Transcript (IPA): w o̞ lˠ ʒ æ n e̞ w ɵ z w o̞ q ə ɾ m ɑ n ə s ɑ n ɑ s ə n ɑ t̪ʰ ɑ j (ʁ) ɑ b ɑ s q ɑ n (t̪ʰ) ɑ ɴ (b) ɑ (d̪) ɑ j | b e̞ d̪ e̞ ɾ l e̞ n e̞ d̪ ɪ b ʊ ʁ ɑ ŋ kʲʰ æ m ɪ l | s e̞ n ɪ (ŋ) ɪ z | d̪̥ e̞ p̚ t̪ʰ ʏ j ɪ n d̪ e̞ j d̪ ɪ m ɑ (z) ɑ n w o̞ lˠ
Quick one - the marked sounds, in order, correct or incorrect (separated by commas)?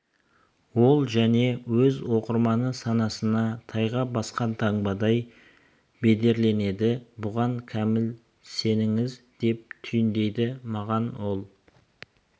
correct, correct, correct, correct, correct, incorrect